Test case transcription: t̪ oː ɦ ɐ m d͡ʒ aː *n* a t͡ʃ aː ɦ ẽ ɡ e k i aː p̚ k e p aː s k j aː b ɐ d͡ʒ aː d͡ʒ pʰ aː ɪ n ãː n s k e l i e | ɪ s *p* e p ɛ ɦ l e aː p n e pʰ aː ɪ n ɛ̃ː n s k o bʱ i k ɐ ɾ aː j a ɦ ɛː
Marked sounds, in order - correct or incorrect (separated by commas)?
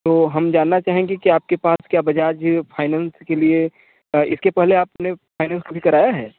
incorrect, incorrect